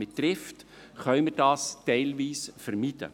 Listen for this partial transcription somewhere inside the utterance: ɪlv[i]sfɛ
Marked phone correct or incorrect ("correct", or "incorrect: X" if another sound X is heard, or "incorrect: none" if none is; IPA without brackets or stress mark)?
incorrect: iː